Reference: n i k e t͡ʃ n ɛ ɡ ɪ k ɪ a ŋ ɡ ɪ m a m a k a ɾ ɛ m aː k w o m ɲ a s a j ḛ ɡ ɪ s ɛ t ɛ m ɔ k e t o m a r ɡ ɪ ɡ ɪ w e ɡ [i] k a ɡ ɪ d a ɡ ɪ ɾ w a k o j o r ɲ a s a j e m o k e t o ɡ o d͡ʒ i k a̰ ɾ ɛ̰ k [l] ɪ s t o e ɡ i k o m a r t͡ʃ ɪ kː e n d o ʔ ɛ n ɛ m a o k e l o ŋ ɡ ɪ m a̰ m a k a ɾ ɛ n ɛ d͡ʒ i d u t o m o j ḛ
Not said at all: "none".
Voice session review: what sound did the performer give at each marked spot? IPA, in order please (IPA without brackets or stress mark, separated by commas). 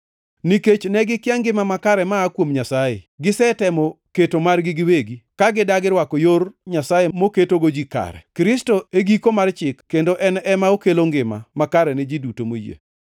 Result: i, ɾ